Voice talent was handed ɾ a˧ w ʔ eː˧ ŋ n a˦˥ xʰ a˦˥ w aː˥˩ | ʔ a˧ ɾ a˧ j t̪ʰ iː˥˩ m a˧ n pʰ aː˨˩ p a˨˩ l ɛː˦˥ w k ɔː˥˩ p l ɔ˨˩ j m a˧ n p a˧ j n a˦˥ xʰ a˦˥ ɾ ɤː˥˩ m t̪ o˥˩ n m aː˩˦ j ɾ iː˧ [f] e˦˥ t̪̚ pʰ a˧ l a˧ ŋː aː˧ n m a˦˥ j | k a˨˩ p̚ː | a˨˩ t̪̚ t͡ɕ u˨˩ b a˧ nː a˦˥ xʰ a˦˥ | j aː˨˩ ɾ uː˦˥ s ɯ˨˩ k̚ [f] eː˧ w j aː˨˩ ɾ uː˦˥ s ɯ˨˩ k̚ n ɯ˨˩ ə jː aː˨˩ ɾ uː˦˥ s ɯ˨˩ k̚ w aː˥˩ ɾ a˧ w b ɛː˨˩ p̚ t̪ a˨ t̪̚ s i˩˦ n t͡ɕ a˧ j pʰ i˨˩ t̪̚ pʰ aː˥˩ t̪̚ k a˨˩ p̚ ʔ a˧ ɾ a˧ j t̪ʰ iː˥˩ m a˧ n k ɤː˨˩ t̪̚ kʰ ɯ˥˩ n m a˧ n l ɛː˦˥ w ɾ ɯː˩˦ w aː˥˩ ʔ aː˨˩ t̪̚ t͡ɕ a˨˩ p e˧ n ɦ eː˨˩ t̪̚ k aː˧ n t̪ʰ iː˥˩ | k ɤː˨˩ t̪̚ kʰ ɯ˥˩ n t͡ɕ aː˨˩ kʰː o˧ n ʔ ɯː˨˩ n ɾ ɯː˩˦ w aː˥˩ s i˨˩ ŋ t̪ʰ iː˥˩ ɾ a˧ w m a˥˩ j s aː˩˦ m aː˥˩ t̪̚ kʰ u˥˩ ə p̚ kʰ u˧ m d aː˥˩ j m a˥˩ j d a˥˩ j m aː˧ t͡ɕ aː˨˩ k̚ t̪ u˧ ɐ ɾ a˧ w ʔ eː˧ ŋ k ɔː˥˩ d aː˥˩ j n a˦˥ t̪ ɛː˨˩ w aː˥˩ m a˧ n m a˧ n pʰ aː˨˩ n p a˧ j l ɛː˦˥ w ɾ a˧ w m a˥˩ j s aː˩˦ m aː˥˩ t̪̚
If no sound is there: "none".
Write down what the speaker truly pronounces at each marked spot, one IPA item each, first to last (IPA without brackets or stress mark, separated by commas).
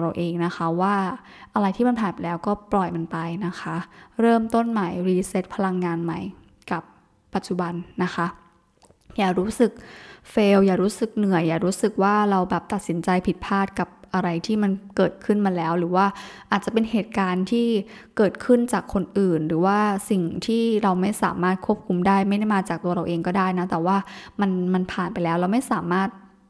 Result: s, f